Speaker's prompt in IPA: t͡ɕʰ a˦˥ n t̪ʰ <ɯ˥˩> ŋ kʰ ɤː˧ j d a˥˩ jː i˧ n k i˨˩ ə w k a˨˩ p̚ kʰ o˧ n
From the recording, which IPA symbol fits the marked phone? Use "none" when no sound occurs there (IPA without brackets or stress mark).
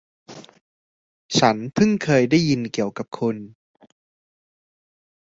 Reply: ɯ˥˩